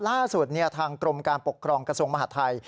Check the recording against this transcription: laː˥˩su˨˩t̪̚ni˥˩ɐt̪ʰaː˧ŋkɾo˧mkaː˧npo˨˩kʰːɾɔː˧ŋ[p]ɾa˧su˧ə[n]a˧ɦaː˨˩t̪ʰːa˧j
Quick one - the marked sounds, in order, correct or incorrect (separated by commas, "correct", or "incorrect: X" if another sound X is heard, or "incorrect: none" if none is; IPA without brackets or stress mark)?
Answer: incorrect: k, incorrect: m